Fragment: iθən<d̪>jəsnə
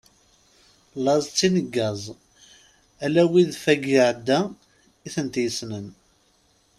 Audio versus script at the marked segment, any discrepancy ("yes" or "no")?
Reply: yes